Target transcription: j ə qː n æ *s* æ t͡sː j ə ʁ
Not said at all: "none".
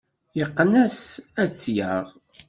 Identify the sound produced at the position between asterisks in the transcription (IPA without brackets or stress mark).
s